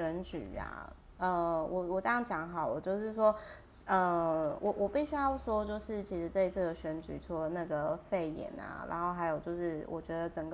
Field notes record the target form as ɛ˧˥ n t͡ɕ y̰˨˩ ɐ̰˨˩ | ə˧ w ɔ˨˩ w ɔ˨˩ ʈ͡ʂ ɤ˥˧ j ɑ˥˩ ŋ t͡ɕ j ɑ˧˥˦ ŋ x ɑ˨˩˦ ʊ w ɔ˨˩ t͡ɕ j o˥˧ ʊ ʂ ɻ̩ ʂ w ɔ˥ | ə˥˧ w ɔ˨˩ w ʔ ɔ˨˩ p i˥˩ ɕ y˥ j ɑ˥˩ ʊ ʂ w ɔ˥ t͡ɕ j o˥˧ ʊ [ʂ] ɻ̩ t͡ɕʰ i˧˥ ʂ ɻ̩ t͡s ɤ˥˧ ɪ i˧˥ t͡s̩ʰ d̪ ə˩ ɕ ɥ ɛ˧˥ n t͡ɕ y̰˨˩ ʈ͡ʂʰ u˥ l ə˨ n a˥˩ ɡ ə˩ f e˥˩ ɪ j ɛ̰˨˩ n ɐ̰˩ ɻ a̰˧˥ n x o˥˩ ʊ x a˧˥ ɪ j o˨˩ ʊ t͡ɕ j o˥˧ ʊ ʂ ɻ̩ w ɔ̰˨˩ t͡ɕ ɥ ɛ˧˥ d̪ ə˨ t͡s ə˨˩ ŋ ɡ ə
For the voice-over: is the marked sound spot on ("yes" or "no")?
yes